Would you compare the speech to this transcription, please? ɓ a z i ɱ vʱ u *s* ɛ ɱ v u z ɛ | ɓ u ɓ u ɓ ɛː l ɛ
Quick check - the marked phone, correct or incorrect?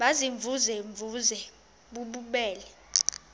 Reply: incorrect